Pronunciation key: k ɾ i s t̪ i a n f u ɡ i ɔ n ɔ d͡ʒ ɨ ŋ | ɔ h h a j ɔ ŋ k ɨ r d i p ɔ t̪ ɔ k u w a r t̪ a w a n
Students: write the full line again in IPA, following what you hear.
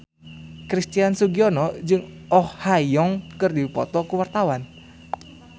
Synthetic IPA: k ɾ i s t̪ i a n s u ɡ i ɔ n ɔ d͡ʒ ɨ ŋ | ɔ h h a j ɔ ŋ k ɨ r d i p ɔ t̪ ɔ k u w a r t̪ a w a n